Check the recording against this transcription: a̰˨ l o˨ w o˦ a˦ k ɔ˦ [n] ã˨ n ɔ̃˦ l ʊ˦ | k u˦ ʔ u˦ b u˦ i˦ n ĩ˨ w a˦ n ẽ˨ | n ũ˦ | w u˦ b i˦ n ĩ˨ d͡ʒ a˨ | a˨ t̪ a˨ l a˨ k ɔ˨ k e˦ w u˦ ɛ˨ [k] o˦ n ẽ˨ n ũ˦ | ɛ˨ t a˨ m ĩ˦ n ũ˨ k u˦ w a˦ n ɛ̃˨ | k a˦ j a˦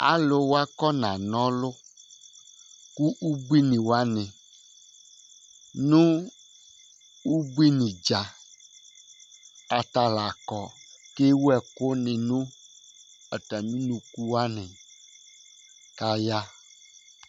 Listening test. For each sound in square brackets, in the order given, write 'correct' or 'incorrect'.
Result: correct, correct

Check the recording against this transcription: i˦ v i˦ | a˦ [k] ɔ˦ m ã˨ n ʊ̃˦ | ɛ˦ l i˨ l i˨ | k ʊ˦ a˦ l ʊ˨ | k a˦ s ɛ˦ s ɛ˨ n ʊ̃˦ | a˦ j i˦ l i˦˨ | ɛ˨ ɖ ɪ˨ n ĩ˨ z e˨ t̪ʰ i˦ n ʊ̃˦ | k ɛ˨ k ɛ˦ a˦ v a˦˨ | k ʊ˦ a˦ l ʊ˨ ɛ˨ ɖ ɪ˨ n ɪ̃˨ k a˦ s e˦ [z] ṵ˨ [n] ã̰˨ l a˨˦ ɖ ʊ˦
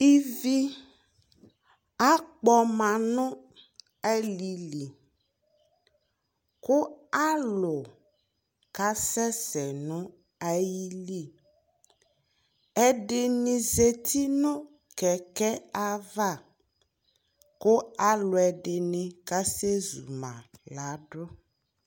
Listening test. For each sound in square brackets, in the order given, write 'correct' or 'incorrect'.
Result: incorrect: k͡p, correct, incorrect: m

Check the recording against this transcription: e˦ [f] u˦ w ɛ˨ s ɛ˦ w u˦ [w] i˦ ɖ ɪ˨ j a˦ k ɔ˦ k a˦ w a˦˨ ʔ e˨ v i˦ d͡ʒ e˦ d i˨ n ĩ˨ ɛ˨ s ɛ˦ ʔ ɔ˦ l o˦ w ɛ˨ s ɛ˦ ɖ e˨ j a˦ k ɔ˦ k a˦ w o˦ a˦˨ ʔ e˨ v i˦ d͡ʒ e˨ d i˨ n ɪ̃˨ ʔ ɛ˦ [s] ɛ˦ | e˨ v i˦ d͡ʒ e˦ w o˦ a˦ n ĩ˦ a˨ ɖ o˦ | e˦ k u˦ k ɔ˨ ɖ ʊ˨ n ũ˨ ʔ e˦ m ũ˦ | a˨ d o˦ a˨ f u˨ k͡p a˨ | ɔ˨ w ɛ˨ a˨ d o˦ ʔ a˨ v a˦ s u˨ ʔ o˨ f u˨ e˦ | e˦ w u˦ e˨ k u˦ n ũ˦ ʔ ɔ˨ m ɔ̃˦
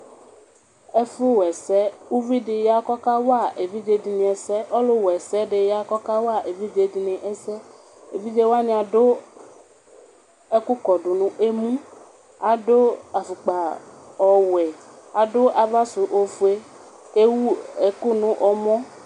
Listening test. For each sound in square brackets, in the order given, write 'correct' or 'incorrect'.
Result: correct, incorrect: v, correct

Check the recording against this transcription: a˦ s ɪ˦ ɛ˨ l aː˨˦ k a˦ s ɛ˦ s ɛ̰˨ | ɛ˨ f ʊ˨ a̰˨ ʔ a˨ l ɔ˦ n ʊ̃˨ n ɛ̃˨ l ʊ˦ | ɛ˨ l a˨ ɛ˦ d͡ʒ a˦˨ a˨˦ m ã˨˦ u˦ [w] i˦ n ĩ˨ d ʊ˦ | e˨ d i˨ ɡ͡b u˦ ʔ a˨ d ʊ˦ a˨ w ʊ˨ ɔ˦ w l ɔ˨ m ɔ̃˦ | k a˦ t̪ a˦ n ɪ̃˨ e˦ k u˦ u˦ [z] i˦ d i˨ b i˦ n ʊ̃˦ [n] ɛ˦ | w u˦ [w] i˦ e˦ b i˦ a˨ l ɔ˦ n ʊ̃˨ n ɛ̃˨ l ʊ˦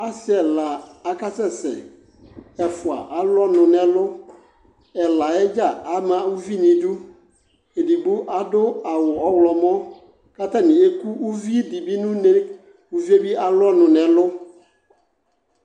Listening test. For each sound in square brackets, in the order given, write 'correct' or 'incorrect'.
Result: incorrect: v, incorrect: v, correct, incorrect: v

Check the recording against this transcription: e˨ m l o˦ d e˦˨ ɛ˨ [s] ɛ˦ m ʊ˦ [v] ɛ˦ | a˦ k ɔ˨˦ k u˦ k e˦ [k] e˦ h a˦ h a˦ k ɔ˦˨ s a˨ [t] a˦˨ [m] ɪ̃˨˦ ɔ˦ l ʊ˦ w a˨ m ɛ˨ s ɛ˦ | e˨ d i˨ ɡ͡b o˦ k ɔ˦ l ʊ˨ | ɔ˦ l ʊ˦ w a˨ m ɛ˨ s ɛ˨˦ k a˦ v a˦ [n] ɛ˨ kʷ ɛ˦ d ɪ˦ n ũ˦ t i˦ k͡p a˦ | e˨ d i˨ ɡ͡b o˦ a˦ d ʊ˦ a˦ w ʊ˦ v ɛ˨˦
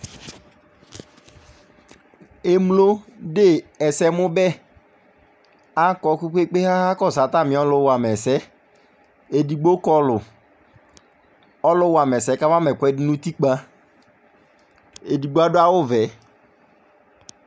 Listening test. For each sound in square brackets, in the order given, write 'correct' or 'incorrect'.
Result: correct, incorrect: b, incorrect: k͡p, correct, correct, incorrect: m

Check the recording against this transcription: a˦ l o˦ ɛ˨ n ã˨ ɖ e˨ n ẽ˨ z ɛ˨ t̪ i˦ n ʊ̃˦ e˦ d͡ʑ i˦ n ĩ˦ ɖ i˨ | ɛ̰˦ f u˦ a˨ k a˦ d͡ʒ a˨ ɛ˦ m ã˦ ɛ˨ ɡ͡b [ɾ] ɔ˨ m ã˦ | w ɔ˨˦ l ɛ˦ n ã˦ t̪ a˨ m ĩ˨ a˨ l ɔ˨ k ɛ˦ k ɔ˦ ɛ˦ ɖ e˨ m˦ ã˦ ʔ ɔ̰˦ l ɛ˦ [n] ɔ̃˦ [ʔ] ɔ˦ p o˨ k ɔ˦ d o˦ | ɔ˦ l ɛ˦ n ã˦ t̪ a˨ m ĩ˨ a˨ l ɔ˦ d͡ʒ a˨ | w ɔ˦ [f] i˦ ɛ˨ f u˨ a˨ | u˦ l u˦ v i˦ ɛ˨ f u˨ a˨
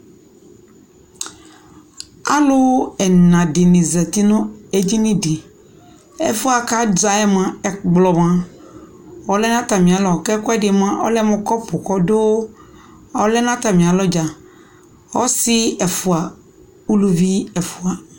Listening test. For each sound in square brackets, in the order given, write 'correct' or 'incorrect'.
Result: incorrect: l, incorrect: m, incorrect: k, incorrect: s

